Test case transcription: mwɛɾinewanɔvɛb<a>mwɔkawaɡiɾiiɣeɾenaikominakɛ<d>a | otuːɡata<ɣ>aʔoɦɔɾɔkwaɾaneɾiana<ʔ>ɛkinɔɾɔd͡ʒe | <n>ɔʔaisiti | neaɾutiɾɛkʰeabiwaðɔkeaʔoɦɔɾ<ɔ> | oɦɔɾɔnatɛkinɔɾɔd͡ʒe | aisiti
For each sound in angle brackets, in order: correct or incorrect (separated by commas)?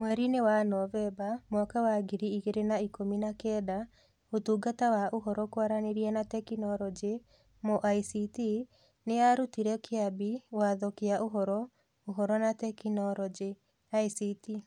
correct, correct, incorrect, incorrect, incorrect, correct